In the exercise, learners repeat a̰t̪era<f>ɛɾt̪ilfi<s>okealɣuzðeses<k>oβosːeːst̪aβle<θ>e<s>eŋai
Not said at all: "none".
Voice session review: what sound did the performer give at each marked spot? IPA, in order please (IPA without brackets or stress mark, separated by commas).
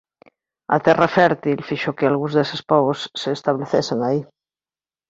f, ʃ, p, θ, s